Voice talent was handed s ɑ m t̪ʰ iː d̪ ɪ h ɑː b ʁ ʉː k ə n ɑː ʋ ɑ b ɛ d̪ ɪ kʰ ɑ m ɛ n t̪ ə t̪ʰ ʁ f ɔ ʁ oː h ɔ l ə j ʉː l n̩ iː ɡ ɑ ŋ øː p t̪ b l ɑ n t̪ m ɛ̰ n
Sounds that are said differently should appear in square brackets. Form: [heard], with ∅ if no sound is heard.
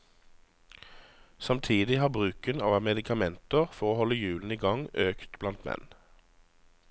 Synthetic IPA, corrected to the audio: s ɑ m t̪ʰ iː d̪ ɪ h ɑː b ʁ ʉː k ə n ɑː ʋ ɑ [m] ɛ d̪ ɪ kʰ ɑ m ɛ n t̪ ə [∅] ʁ f ɔ ʁ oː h ɔ l ə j ʉː l n̩ iː ɡ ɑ ŋ øː [k] t̪ b l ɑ n t̪ m ɛ̰ n

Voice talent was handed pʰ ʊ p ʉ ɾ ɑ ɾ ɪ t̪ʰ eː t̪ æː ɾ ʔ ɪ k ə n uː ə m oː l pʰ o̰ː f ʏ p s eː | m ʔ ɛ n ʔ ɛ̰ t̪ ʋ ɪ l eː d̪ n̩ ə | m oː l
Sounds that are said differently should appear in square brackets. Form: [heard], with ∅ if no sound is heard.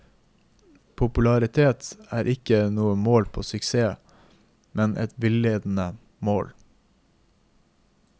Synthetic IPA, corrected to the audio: pʰ ʊ p ʉ [l] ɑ ɾ ɪ t̪ʰ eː t̪ æː ɾ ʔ ɪ k ə n uː ə m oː l pʰ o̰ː [s] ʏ [k] s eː | m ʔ ɛ n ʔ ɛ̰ t̪ ʋ ɪ l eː d̪ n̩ ə | m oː l

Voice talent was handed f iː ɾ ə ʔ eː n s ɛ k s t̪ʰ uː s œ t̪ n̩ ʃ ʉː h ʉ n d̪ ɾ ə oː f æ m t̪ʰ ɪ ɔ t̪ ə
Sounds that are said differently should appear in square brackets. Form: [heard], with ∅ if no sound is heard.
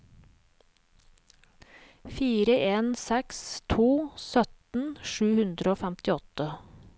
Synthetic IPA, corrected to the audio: f iː ɾ ə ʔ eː n s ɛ k s t̪ʰ uː s œ t̪ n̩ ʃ ʉː h ʉ n d̪ ɾ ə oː f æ m [t̪] ɪ ɔ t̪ ə

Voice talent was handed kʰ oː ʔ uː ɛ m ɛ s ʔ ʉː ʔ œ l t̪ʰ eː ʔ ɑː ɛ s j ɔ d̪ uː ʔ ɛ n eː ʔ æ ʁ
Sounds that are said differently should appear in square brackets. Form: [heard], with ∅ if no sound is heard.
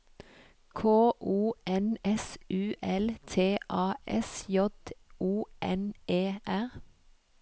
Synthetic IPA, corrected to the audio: kʰ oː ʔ uː ɛ [n] ɛ s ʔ ʉː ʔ [ɛ] l t̪ʰ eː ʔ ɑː ɛ s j ɔ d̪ uː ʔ ɛ n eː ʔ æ ʁ

